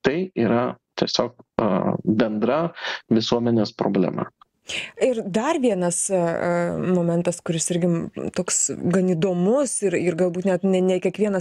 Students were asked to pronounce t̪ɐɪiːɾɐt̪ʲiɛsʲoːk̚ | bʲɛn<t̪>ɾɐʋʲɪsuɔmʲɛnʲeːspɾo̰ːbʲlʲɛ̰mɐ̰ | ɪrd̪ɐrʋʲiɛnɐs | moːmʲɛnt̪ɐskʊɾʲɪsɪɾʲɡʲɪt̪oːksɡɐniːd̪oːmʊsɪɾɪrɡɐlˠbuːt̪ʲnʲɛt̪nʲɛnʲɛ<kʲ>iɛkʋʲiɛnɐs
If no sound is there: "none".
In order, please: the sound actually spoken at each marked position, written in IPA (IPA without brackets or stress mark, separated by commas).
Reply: d̪, kʲ